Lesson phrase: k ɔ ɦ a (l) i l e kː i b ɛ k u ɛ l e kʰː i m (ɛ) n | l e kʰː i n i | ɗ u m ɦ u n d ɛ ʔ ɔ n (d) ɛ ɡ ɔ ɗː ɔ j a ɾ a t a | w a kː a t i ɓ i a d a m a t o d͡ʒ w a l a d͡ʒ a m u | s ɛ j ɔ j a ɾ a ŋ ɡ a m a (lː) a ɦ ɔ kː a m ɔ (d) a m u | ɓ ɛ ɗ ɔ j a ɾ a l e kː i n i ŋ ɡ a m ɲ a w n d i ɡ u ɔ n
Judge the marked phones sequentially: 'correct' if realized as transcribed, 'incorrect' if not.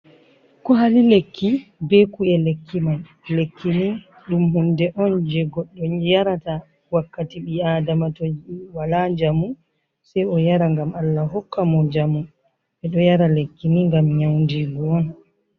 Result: correct, incorrect, incorrect, correct, incorrect

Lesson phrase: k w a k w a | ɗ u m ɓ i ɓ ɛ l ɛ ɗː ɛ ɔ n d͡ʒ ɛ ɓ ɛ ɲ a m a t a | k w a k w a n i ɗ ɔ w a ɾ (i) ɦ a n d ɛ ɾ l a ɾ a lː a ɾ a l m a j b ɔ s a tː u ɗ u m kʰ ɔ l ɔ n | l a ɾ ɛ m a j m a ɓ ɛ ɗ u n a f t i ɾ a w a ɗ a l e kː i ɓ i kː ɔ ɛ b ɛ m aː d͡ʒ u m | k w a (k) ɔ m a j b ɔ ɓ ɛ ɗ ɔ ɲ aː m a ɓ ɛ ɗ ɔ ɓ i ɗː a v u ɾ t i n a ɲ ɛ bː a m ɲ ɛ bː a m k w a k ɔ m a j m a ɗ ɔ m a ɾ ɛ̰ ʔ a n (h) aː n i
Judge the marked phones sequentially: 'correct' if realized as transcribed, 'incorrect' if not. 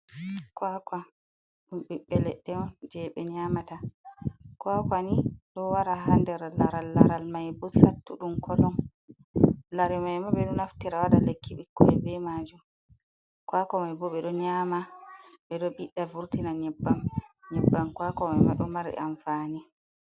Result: incorrect, correct, incorrect

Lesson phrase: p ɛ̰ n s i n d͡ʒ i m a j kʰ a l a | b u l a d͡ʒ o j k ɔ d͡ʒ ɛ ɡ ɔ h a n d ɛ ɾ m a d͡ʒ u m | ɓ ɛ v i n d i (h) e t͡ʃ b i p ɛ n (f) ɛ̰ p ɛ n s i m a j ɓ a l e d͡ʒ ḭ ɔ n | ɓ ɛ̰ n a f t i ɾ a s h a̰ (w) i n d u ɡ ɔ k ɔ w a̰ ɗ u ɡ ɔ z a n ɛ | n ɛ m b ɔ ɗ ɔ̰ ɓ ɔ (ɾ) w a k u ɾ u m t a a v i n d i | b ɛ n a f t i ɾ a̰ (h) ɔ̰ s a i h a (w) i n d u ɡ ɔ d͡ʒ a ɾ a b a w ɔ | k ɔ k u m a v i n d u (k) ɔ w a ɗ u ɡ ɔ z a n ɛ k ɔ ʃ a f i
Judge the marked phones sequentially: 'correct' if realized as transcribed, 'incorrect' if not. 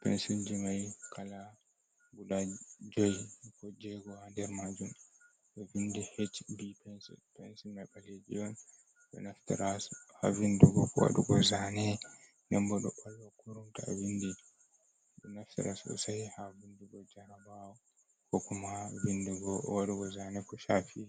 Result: correct, incorrect, incorrect, incorrect, incorrect, incorrect, incorrect

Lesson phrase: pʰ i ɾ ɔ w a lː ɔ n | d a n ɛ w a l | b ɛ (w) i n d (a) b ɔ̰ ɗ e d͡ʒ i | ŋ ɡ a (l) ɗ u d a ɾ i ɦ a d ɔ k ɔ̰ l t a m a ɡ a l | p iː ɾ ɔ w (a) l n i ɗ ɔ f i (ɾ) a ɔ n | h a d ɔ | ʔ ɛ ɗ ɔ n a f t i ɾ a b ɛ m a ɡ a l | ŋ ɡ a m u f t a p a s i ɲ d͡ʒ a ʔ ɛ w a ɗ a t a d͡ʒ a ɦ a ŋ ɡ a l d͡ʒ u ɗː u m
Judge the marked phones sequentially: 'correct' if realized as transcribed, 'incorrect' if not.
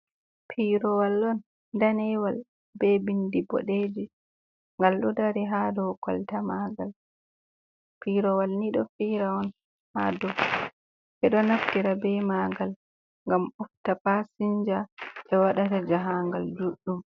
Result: incorrect, incorrect, correct, correct, correct

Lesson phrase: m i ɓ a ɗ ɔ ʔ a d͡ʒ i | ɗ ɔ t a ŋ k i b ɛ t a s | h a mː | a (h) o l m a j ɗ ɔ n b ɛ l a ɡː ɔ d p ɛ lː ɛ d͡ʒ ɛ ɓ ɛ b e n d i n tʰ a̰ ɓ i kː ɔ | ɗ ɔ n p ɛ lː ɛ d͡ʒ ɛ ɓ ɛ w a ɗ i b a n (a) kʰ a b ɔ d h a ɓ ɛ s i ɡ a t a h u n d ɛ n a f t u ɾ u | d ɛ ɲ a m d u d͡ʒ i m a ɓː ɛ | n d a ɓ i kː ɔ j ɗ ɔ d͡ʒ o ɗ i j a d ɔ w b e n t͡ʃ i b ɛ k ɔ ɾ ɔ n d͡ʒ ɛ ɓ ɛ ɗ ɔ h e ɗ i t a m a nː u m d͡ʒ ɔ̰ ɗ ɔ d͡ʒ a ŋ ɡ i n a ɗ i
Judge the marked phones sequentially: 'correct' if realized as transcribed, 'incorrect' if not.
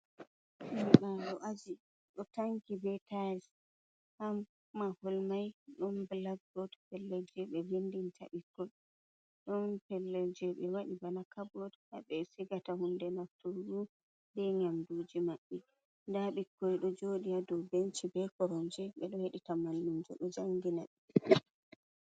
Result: correct, correct

